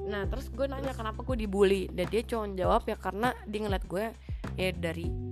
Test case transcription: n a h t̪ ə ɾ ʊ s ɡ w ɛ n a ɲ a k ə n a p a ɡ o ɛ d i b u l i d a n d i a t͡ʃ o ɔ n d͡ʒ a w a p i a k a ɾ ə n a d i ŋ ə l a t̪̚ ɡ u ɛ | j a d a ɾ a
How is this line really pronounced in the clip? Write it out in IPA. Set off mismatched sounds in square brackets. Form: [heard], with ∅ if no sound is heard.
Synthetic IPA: n a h t̪ ə ɾ ʊ s ɡ [u] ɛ n a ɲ a k ə n a p a ɡ [u] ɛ d i b u l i d a n d i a t͡ʃ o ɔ n d͡ʒ a w a p [j] a k a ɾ ə n a d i ŋ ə l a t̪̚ ɡ u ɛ | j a d a ɾ [i]